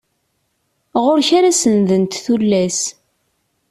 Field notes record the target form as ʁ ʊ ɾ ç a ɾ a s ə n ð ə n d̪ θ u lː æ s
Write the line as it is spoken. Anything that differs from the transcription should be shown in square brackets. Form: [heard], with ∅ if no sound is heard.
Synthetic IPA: ʁ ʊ ɾ ç a ɾ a s ə n ð ə n [t̪] θ u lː æ s